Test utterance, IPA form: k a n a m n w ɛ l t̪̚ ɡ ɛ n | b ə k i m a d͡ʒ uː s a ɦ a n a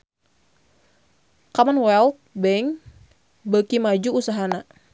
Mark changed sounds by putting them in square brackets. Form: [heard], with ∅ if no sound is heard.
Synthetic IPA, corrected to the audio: k a [m] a [∅] n w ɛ l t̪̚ [b] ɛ [ŋ] | b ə k i m a d͡ʒ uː s a ɦ a n a